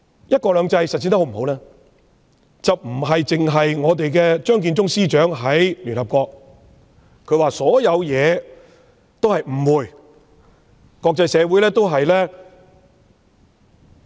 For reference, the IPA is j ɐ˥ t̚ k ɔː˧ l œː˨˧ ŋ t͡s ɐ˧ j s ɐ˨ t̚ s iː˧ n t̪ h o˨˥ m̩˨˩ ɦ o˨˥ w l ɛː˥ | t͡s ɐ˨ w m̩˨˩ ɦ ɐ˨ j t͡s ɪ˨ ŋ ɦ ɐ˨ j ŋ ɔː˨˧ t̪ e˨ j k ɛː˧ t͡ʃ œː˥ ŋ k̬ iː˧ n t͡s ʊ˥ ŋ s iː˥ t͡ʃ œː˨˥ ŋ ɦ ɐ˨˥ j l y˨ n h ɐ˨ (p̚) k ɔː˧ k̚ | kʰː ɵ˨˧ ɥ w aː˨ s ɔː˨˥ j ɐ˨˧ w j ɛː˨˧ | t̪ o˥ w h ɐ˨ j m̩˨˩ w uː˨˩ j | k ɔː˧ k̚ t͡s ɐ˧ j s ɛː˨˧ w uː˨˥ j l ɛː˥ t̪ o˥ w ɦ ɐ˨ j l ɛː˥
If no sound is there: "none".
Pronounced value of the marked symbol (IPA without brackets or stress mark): p̚